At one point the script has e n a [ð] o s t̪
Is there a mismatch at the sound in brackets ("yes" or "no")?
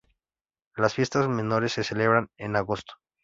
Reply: yes